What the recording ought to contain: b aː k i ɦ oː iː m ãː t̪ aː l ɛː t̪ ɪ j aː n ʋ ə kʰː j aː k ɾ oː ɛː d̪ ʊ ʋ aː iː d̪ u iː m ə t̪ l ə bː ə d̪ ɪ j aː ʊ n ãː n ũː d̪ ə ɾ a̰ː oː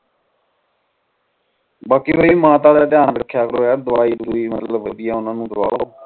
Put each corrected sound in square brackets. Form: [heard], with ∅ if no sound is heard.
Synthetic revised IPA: b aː k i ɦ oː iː m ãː t̪ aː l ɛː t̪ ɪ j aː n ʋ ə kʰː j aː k ɾ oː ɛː d̪ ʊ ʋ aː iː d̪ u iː m ə t̪ l ə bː ə d̪ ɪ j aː ʊ n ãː n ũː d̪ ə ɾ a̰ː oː